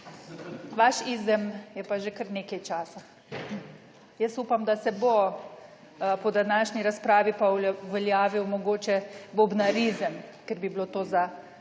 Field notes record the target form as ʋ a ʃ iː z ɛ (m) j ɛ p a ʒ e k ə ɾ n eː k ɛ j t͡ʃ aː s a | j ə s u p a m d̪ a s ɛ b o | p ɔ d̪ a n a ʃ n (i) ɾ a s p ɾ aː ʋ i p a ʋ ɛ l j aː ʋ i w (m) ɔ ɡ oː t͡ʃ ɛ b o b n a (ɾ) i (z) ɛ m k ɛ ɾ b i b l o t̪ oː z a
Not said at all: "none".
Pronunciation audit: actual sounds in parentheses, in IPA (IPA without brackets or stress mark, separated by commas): m, i, m, ɾ, z